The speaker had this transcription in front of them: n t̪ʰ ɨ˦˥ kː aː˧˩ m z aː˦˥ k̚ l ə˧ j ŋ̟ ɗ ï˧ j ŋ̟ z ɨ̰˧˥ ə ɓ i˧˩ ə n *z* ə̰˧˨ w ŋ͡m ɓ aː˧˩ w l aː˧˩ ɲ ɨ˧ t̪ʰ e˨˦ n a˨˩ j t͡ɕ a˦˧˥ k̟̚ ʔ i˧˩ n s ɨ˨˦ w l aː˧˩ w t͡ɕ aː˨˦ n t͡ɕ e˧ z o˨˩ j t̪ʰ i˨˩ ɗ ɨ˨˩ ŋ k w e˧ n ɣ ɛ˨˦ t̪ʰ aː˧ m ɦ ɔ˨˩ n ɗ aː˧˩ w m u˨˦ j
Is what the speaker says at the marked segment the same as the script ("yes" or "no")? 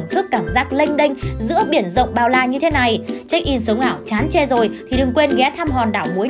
yes